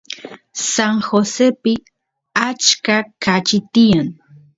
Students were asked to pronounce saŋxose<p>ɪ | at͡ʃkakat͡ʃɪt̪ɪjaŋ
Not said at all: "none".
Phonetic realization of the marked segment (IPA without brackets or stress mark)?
p